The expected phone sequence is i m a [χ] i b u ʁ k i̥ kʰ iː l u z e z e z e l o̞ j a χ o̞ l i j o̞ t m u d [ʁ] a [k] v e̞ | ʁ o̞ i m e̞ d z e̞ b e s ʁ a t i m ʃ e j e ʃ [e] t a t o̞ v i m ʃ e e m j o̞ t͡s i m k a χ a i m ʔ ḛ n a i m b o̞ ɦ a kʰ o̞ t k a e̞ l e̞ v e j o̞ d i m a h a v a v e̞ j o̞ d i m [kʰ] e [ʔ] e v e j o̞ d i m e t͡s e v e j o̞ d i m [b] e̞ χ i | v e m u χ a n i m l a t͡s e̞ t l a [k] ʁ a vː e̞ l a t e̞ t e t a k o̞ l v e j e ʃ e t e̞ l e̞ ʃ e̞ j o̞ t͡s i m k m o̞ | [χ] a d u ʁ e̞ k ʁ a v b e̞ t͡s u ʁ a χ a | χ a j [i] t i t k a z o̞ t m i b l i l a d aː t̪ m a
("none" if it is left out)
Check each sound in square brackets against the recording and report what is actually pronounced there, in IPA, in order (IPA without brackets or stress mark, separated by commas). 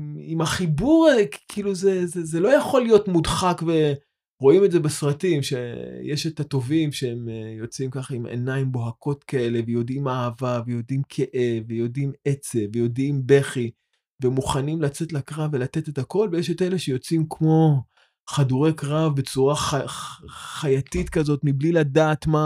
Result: χ, χ, k, e, kʰ, ʔ, b, k, χ, a